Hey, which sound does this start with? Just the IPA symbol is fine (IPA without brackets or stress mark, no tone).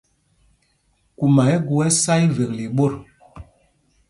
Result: k